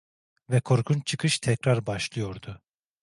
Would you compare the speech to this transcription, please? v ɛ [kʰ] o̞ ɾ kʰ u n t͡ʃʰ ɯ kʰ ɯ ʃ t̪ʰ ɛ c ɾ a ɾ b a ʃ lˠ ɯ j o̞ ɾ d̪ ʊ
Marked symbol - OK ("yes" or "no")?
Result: yes